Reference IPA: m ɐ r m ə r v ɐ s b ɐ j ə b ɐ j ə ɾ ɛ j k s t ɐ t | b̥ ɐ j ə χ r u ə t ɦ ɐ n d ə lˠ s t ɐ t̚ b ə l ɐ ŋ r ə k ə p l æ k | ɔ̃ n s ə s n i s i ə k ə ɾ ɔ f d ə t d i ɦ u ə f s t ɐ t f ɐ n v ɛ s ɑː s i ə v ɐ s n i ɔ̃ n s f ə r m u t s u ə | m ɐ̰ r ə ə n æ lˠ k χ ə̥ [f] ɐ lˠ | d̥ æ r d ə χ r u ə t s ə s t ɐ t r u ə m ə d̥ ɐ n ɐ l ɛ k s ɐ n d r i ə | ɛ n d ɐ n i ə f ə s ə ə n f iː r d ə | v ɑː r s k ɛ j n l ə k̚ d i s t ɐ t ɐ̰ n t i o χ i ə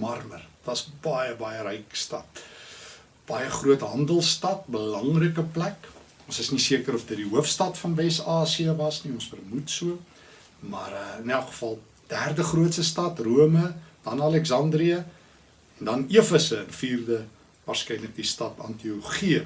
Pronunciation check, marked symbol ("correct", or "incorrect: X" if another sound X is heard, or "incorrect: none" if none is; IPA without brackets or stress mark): correct